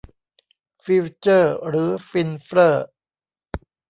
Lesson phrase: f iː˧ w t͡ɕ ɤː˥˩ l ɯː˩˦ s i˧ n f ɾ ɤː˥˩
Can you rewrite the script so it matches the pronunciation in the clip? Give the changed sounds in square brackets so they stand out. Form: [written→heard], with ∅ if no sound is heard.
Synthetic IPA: f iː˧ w t͡ɕ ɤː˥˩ [l→ɾ] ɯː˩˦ [s→f] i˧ n f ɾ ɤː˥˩